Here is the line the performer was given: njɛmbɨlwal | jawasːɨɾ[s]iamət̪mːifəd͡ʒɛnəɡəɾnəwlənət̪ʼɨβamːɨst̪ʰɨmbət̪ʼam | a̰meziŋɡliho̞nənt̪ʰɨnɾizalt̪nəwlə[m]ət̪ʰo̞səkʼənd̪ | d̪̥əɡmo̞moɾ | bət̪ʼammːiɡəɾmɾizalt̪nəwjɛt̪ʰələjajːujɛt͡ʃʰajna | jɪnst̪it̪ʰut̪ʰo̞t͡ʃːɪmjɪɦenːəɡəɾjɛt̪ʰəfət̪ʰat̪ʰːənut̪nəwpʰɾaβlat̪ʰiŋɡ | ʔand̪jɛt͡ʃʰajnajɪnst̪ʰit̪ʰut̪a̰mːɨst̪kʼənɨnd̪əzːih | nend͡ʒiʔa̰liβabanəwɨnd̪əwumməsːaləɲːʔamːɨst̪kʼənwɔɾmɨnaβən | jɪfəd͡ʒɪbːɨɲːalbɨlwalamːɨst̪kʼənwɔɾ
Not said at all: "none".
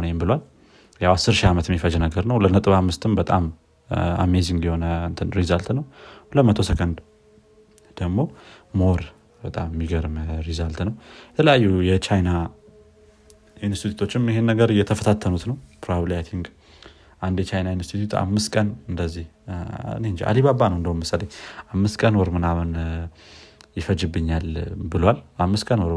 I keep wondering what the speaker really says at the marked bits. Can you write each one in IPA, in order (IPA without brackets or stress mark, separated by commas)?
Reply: ʃ, m